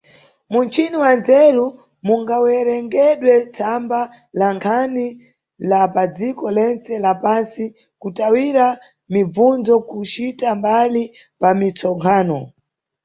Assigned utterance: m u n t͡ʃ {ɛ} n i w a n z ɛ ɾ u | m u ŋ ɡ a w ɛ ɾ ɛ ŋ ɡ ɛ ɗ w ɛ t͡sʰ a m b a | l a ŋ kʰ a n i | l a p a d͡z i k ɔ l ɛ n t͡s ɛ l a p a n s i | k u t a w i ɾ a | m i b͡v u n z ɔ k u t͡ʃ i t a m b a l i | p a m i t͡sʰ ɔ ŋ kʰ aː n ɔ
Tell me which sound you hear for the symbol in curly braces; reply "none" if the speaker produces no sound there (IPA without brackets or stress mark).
i